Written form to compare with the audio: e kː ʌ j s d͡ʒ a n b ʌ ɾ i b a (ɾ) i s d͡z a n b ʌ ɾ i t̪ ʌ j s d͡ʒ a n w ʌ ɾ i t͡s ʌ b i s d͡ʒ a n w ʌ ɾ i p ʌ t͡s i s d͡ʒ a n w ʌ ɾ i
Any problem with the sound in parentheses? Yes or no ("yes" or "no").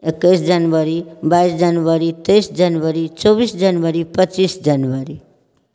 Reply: yes